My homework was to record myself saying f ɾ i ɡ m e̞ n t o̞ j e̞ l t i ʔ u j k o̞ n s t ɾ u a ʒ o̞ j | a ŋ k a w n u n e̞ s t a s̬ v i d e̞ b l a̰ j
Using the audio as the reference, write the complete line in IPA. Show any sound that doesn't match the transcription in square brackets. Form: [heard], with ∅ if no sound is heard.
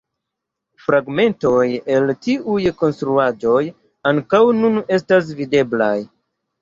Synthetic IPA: f ɾ [a] ɡ m e̞ n t o̞ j e̞ l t i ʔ u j k o̞ n s t ɾ u a [d͡ʒ] o̞ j | a ŋ k a w n u n e̞ s t a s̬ v i d e̞ b l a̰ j